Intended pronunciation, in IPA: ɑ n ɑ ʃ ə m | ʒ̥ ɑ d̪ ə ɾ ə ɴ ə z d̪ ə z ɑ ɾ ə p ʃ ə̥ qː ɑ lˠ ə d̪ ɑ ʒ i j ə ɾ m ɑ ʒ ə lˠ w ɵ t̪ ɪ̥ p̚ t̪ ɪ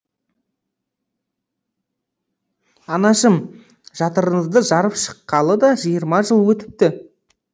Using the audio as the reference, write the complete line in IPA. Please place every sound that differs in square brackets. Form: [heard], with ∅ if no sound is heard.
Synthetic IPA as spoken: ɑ n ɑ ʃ ə m | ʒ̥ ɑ [t̪] ə ɾ ə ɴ ə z d̪ ə [ʒ] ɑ ɾ ə p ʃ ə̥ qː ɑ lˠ ə d̪ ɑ ʒ i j ə ɾ m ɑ ʒ ə lˠ w ɵ t̪ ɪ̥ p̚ t̪ ɪ